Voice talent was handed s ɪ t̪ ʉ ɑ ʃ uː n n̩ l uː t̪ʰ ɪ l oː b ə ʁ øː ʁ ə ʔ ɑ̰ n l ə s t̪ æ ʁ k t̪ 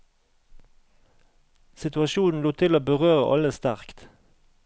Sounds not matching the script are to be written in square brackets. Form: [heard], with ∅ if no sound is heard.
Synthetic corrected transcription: s ɪ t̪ ʉ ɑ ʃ uː n n̩ l uː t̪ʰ ɪ l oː b ə ʁ øː ʁ ə ʔ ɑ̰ [∅] l ə s t̪ æ ʁ k t̪